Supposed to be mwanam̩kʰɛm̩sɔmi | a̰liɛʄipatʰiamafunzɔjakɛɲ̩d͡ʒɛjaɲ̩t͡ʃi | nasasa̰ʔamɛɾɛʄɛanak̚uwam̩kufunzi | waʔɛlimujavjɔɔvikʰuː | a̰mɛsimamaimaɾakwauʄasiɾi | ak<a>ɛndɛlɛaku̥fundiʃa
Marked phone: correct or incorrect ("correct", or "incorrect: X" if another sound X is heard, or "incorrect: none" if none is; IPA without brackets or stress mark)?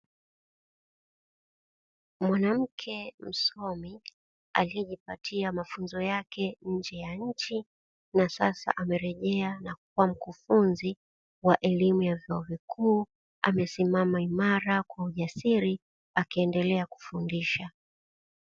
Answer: incorrect: i